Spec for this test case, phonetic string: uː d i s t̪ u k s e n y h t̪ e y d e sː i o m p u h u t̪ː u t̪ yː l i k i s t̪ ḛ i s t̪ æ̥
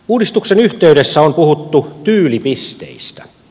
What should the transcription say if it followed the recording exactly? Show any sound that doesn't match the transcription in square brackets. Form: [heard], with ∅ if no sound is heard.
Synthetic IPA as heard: uː d i s t̪ u k s e n y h t̪ e y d e sː [æ] o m p u h u t̪ː u t̪ yː l i [p] i s t̪ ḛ i s t̪ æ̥